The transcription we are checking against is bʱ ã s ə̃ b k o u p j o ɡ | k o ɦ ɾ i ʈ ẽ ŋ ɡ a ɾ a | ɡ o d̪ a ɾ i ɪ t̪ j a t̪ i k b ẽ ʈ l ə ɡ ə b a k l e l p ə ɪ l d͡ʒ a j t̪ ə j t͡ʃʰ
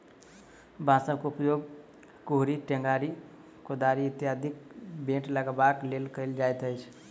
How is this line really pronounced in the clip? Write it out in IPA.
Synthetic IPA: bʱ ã s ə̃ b k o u p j o ɡ | k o ɦ ɾ i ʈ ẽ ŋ ɡ a ɾ i | k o d̪ a ɾ i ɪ t̪ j a d̪ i k b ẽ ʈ l ə ɡ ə b a k l e l k ə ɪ l d͡ʒ a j t̪ ə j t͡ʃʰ